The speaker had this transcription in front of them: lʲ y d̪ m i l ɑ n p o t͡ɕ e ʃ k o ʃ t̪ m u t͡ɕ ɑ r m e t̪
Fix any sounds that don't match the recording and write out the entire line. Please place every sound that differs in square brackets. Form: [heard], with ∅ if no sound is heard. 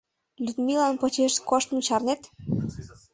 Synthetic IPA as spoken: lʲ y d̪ m i l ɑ n p o t͡ɕ e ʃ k o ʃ t̪ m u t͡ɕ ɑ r [n] e t̪